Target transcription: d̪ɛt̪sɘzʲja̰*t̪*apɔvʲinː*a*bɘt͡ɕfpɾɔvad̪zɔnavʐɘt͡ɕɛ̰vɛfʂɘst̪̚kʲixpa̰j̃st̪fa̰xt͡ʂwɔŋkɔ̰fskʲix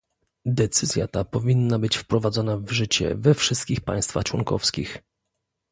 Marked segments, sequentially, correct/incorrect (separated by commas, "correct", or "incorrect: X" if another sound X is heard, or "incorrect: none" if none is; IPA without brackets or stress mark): correct, correct